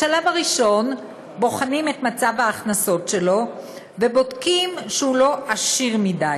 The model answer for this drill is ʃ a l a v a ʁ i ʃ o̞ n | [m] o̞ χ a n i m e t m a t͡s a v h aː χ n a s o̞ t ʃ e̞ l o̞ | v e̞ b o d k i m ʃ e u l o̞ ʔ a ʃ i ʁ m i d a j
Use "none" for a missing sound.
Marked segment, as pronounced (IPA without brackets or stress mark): b